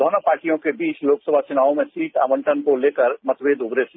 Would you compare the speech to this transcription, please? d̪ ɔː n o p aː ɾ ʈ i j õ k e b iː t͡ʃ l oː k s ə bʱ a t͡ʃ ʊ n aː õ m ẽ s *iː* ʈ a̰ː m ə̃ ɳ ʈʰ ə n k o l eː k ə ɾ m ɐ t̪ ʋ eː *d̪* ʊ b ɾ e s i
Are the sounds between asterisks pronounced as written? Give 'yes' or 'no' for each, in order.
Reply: yes, yes

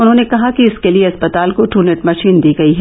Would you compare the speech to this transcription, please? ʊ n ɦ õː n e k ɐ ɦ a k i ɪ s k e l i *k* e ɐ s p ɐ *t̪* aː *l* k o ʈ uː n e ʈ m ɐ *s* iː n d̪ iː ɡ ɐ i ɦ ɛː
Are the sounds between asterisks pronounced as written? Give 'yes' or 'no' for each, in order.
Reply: no, yes, yes, no

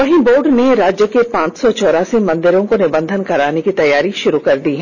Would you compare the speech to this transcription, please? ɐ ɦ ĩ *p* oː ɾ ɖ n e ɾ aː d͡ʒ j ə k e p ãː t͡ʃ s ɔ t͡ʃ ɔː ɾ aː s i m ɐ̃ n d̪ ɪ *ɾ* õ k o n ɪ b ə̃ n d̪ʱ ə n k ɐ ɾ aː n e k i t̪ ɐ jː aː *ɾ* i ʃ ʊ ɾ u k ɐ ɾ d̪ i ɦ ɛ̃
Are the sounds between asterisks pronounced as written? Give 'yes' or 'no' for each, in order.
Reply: no, yes, yes

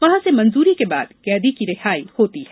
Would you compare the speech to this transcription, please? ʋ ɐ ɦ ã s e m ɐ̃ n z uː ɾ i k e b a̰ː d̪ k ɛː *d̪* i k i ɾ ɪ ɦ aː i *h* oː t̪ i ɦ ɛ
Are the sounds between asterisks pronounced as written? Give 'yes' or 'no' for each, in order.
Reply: yes, yes

